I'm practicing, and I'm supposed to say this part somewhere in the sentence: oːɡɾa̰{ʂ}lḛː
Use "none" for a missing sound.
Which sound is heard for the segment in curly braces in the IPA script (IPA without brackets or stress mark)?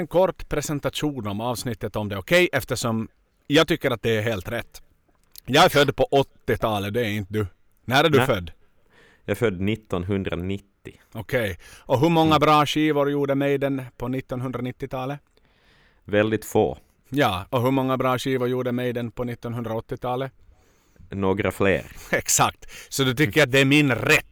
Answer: f